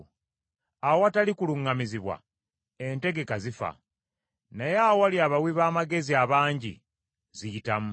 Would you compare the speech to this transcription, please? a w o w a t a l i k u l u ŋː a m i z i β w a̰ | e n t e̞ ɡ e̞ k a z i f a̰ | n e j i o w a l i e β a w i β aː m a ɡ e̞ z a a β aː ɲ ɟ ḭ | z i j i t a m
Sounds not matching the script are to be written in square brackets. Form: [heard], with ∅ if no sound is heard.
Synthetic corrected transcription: a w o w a t a l i k u l u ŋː a m i z i β w a̰ | e n t e̞ ɡ e̞ k a z i f a̰ | n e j [a] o w a l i [a] β a w i β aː m a ɡ e̞ z [i] a β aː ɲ ɟ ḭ | z i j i t a m